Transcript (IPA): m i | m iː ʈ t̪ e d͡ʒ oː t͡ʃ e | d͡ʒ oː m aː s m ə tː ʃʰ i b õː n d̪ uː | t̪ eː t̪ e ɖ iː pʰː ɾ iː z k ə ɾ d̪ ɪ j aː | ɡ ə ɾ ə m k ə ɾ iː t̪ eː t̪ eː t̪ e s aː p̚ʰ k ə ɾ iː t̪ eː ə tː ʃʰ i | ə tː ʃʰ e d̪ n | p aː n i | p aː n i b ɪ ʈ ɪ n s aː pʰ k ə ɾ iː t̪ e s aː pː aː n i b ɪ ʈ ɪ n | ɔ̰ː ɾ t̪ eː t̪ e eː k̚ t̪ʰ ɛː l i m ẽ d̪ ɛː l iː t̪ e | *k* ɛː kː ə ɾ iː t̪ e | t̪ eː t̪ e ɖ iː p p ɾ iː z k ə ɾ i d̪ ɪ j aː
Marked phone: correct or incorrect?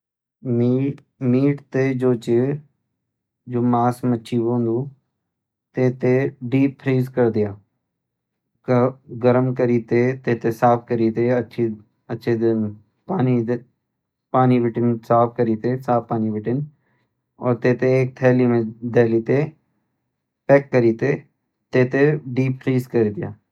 incorrect